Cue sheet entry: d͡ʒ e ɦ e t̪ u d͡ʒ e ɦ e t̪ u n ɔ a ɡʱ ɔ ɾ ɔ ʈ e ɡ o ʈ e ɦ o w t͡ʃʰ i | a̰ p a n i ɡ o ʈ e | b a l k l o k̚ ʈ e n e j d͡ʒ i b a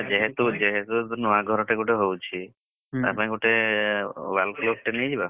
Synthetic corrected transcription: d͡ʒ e ɦ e t̪ u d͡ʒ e ɦ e t̪ u n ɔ a ɡʱ ɔ ɾ ɔ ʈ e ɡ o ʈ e ɦ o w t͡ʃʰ i | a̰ p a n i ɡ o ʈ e | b a l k l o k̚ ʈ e n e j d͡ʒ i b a